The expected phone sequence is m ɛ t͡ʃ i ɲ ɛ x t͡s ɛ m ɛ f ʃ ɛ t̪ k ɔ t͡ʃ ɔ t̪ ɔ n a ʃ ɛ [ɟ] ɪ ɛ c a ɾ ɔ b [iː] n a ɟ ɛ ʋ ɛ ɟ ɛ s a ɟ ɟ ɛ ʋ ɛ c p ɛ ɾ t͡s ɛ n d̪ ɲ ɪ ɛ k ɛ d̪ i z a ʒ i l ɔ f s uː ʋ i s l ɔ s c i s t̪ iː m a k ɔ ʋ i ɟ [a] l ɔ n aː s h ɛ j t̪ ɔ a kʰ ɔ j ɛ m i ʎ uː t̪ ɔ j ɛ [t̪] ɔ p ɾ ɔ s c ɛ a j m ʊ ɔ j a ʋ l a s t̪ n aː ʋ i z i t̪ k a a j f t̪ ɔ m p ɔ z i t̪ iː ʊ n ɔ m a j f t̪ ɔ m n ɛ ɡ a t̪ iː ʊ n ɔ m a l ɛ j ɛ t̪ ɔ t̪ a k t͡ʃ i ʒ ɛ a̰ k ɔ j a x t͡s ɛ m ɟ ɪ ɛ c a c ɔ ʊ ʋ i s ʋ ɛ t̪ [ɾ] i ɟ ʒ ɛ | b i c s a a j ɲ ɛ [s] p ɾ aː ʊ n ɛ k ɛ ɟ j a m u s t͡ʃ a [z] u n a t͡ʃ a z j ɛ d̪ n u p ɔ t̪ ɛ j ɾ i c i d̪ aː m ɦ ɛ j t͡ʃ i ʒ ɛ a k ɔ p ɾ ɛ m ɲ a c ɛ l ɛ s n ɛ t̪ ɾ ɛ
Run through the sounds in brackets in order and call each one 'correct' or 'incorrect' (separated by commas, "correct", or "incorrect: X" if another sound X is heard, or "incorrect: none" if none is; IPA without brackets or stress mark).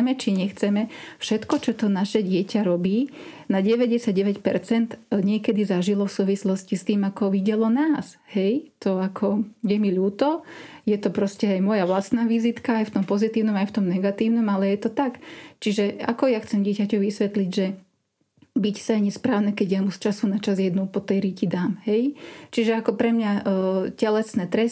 correct, correct, incorrect: ɛ, correct, incorrect: l, correct, incorrect: s